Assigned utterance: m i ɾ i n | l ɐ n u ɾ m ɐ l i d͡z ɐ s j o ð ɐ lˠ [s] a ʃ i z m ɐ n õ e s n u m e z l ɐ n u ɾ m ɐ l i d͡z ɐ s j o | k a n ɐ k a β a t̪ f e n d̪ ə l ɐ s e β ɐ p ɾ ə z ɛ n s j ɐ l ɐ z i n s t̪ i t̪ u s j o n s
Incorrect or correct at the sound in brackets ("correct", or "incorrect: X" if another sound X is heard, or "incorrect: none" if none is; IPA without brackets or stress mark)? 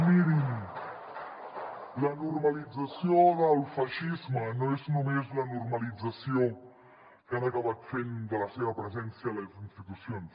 incorrect: f